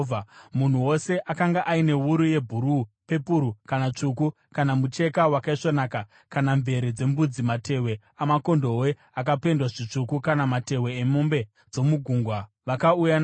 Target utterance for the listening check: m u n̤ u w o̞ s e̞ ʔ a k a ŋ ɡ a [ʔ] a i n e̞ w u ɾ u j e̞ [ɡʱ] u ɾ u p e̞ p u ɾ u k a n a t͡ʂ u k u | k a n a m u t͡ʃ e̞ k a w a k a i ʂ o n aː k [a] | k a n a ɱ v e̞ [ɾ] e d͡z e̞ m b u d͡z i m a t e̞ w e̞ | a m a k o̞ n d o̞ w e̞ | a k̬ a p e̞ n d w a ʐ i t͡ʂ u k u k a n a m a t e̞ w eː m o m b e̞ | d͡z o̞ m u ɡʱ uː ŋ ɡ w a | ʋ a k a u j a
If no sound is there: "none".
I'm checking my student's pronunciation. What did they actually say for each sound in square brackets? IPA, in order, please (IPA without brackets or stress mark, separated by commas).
ʔ, bʱ, a, ɾ